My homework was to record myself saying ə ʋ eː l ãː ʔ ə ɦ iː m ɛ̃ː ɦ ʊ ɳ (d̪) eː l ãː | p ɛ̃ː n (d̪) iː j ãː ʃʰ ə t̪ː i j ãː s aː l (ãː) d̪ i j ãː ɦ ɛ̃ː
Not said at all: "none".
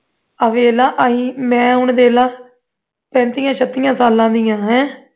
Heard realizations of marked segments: d̪, t̪, ãː

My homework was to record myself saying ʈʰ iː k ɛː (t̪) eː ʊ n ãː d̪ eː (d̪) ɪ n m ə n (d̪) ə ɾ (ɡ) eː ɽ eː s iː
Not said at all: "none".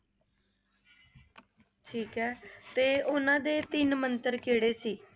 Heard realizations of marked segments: t̪, t̪, t̪, k

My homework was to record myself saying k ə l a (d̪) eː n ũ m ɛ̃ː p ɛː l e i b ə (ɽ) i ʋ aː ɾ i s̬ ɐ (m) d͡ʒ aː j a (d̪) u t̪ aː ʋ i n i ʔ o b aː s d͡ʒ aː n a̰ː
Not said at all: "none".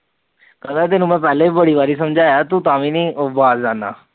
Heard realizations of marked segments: t̪, ɽ, m, t̪

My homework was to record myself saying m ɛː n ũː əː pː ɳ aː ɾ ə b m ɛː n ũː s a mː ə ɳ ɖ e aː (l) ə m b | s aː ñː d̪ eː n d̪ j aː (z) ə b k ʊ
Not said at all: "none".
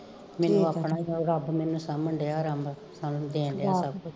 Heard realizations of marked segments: ɾ, s

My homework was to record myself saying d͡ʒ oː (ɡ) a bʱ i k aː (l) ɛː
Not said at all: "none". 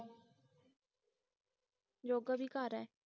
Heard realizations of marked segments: ɡ, ɾ

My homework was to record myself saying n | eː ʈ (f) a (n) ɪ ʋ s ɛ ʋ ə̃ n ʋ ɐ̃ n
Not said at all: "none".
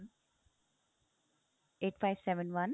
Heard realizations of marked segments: f, none

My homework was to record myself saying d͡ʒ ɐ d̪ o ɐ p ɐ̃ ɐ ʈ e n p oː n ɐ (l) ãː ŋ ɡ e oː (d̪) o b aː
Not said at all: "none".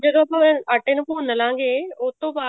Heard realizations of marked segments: l, t̪

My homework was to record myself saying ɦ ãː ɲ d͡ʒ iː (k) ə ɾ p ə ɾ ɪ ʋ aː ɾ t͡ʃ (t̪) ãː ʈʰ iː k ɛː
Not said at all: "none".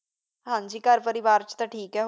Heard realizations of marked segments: k, t̪

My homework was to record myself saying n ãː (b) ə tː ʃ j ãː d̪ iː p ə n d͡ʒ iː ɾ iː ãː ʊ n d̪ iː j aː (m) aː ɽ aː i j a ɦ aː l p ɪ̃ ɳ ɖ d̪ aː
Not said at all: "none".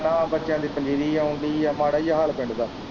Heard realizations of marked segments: b, m

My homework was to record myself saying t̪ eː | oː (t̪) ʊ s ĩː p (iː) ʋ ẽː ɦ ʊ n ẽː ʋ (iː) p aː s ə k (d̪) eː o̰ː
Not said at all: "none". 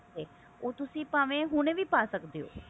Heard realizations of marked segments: t̪, aː, iː, d̪

